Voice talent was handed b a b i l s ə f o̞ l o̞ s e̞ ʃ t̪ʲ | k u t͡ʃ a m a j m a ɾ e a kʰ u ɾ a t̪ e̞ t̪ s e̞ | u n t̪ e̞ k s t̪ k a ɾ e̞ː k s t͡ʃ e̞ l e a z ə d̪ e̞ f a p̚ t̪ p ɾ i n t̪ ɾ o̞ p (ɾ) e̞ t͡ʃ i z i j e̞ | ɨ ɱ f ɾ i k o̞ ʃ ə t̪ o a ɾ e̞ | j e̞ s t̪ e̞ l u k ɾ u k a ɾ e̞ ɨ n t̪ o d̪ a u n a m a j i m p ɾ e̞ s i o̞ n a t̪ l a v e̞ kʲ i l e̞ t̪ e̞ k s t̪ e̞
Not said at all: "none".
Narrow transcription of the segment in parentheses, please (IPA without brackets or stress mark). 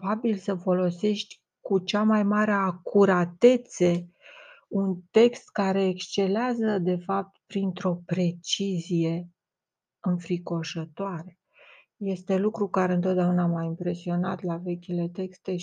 ɾ